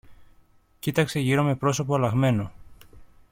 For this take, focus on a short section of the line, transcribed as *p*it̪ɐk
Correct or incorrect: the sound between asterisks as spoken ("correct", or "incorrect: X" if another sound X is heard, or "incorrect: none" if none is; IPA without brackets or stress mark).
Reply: incorrect: c